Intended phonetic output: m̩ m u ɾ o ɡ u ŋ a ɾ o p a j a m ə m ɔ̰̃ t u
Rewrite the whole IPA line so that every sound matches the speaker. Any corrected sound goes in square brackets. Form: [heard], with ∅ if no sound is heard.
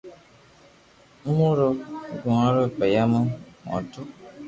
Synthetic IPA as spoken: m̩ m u ɾ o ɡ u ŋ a ɾ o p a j a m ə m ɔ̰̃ t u